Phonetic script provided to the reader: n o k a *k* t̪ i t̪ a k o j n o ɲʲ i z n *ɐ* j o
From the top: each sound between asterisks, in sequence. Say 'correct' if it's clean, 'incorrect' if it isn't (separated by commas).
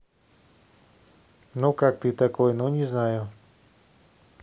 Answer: correct, incorrect